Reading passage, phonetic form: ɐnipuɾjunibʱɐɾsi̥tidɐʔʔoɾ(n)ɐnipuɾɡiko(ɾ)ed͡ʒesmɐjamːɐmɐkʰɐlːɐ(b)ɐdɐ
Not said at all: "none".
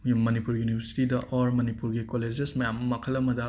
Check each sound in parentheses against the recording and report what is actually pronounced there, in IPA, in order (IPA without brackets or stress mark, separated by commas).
m, l, m